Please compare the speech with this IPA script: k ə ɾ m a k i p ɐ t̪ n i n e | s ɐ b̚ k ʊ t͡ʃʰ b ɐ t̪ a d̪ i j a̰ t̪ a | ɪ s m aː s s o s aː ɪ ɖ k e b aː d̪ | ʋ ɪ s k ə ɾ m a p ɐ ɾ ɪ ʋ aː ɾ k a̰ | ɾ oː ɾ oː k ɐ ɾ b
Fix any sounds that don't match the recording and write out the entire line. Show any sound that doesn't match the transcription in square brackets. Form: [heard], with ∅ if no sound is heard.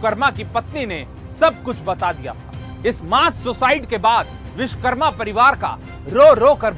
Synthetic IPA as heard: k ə ɾ m a k i p ɐ t̪ n i n e | s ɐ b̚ k ʊ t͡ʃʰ b ɐ t̪ a d̪ i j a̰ [t̪ʰ] a | ɪ s m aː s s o s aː ɪ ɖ k e b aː d̪ | ʋ ɪ [ʃ] k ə ɾ m a p ɐ ɾ ɪ ʋ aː ɾ k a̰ | ɾ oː ɾ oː k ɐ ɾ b